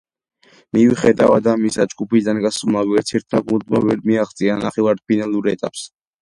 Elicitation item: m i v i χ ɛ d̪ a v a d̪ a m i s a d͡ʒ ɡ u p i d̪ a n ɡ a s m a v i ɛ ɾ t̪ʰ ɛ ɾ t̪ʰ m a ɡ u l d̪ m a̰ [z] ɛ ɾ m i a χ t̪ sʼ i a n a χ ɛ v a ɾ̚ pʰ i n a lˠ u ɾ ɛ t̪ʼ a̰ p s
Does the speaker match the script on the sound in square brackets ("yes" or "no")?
no